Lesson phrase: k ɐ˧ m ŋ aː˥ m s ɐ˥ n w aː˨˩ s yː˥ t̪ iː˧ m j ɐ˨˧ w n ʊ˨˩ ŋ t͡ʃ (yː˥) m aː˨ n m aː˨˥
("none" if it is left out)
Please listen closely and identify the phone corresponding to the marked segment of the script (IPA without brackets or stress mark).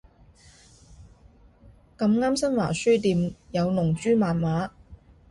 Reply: yː˥